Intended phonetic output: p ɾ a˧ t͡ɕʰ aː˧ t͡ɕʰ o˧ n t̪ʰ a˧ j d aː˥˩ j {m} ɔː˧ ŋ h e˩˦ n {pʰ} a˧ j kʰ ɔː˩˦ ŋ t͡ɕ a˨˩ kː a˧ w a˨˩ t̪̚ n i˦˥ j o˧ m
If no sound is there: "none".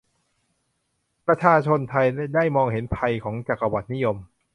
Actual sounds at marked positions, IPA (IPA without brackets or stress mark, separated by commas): m, pʰ